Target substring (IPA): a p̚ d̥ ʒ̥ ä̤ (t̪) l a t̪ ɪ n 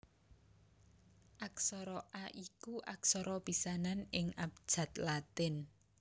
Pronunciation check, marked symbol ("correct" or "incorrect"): correct